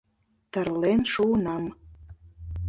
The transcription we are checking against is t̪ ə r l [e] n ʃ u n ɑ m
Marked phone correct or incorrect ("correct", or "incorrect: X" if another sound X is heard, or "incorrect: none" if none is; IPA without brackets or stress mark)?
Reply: correct